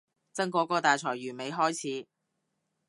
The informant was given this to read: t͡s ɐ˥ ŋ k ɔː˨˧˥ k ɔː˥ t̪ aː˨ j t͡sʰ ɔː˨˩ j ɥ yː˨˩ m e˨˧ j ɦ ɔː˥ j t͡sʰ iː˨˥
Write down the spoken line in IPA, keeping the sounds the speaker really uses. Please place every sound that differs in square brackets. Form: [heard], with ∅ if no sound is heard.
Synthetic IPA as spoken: t͡s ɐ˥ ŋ k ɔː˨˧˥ k [ɔː˧] t̪ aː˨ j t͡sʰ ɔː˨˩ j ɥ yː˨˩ m e˨˧ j ɦ ɔː˥ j t͡sʰ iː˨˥